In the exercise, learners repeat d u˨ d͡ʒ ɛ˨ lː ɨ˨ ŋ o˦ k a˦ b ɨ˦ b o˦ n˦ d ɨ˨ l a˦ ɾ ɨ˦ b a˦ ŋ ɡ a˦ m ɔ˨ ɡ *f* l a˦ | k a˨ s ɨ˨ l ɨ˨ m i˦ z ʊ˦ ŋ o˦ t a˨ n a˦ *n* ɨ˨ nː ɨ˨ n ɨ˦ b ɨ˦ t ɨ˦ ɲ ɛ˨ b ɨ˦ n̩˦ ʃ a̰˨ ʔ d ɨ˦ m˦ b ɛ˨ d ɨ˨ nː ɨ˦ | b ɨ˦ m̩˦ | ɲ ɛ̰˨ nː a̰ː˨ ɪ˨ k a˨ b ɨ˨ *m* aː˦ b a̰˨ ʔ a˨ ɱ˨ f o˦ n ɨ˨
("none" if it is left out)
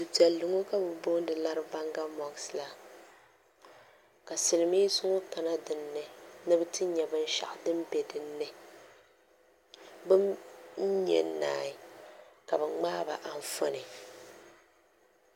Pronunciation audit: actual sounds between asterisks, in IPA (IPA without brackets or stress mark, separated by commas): s, d, ŋ͡m